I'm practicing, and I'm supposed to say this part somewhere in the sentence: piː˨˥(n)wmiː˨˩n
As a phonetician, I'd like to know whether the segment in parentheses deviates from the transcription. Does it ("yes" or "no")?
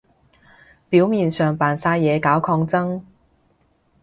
yes